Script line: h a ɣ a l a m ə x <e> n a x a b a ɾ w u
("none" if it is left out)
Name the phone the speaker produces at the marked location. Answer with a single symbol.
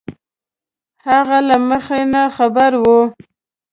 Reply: e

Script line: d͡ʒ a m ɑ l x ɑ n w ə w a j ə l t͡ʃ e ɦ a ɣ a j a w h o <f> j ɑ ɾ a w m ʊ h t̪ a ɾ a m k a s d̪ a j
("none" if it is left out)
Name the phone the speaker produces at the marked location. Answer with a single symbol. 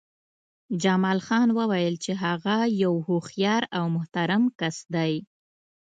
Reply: x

